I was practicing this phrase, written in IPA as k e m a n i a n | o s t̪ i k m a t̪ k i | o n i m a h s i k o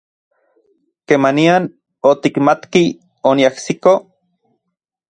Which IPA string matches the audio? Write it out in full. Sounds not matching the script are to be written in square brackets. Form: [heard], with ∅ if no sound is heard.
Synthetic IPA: k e m a n i a n | o [∅] t̪ i k m a t̪ k i | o n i [∅] a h s i k o